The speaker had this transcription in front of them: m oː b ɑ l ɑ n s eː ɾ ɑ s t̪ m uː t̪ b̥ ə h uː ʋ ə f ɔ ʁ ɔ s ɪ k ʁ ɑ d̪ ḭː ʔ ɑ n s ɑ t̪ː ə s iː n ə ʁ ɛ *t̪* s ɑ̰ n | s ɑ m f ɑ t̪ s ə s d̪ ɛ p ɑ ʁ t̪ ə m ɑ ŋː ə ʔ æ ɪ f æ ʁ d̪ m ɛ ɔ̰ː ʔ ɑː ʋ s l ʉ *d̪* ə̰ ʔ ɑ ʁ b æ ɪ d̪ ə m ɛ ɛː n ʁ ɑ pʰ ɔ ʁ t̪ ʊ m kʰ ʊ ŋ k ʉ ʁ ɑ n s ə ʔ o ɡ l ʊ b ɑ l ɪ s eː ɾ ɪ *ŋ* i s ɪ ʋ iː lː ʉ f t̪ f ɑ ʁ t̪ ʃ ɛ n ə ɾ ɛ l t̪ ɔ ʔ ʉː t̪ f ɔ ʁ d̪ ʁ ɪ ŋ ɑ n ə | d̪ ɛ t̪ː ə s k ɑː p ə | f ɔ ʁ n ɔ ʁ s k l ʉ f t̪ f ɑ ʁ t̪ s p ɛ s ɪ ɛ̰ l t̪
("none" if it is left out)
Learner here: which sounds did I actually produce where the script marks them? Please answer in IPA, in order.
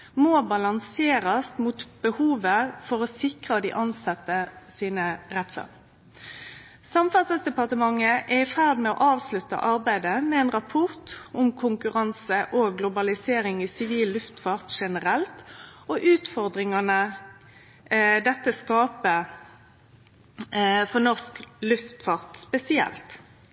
t̪, t̪, ŋ

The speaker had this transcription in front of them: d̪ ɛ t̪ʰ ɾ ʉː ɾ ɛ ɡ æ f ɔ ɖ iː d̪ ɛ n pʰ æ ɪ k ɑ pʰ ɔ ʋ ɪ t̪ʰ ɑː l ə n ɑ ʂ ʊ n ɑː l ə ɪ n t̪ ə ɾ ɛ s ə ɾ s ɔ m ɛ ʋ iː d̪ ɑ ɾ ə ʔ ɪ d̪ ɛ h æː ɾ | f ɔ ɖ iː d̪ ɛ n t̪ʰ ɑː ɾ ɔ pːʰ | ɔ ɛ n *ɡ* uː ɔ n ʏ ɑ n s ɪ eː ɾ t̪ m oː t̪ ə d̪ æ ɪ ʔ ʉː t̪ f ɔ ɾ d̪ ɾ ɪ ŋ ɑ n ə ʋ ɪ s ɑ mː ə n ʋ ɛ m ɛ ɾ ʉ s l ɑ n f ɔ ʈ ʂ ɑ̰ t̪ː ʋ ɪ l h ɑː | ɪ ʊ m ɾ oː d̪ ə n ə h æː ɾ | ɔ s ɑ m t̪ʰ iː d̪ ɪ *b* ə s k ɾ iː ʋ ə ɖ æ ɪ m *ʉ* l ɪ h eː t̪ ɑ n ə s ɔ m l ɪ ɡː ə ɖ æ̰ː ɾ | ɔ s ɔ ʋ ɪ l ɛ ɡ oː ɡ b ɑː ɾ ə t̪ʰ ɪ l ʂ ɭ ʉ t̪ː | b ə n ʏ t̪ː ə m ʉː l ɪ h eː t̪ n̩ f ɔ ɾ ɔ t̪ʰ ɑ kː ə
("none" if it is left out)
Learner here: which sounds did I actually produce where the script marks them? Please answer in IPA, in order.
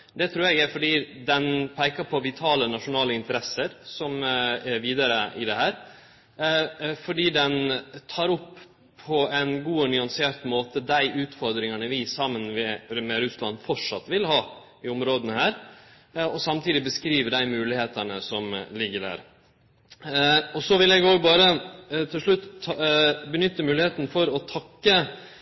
ɡ, b, ʉː

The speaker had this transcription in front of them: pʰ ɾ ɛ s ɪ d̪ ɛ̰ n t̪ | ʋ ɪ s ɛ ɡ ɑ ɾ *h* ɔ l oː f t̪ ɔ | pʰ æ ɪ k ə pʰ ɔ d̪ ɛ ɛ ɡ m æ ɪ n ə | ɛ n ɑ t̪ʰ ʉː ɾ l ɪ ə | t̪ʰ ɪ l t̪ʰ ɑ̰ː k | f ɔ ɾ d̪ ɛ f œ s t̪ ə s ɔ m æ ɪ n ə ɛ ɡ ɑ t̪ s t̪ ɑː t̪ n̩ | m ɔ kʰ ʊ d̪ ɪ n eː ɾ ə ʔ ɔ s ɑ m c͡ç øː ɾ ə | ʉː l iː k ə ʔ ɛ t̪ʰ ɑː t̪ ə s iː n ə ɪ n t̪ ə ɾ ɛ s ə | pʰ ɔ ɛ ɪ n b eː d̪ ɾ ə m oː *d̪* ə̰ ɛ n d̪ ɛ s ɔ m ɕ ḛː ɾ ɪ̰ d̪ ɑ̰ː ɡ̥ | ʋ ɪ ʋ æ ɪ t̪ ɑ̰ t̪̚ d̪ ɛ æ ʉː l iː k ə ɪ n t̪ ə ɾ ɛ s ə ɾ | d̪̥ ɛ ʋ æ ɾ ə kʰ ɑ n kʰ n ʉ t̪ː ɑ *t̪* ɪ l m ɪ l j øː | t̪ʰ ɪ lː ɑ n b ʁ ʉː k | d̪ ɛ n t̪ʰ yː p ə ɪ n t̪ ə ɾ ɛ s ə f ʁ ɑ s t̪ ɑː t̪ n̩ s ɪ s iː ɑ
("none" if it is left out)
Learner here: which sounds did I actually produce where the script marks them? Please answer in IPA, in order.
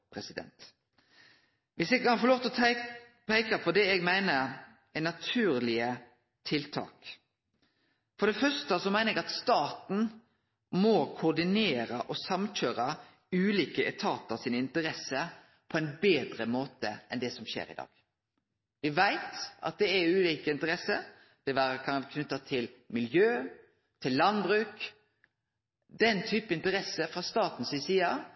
f, t̪, t̪ʰ

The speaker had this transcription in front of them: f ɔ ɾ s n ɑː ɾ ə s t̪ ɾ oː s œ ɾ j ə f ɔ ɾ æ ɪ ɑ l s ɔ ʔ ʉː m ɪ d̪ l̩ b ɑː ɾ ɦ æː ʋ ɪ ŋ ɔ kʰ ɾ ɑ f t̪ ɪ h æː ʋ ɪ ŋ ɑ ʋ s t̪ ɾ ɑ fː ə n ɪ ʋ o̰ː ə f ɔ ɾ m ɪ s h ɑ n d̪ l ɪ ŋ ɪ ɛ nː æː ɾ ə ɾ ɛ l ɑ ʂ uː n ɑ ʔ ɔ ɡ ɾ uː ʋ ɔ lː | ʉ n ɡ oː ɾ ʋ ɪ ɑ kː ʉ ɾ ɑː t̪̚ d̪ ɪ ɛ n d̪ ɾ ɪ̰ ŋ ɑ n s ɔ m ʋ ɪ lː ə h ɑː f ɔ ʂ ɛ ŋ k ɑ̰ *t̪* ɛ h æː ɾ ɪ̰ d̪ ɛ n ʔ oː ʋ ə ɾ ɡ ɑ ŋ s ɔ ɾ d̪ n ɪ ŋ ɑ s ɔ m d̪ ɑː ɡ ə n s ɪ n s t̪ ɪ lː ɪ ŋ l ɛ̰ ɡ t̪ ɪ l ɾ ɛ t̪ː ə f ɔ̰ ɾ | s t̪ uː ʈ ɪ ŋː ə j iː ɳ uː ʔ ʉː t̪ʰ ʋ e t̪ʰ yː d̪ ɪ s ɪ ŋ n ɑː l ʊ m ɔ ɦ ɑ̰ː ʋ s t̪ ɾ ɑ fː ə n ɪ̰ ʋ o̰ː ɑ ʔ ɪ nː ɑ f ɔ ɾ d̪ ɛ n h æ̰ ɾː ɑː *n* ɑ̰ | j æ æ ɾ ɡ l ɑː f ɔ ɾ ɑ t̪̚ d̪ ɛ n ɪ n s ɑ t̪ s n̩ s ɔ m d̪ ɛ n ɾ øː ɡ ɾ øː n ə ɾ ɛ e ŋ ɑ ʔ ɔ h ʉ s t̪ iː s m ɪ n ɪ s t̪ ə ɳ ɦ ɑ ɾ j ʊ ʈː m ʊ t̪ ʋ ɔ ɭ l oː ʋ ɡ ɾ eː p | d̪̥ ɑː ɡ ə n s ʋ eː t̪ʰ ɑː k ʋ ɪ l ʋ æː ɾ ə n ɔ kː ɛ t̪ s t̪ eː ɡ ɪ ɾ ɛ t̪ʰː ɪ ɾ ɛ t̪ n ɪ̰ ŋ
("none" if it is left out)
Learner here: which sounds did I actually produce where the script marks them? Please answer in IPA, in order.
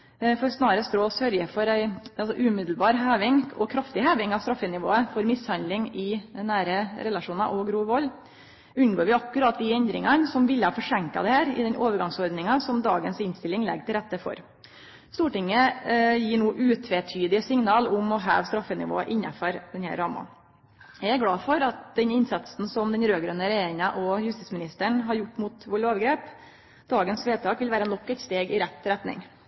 d̪, m

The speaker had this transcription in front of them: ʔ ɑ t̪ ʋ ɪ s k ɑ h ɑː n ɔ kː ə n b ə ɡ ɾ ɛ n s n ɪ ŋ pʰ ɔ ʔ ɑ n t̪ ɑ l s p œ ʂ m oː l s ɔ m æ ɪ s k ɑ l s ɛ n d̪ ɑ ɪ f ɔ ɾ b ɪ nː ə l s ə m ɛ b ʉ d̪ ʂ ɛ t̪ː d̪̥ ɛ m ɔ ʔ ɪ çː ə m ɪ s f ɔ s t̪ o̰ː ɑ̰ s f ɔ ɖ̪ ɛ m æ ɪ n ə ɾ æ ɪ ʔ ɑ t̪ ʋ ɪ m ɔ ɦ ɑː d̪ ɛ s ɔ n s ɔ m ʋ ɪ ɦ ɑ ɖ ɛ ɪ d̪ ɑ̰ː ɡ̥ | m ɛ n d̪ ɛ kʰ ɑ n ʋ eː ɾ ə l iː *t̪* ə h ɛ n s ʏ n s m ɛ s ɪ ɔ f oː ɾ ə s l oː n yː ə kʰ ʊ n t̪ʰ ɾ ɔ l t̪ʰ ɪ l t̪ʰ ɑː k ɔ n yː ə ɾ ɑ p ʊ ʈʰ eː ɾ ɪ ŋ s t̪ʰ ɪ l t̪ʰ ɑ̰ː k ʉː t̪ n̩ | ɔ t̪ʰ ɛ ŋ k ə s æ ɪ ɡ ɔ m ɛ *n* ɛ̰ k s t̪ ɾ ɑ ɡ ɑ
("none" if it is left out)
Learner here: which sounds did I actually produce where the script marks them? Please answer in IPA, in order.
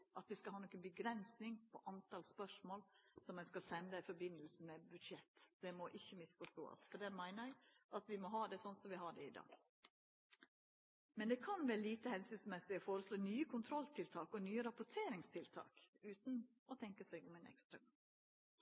t̪, n

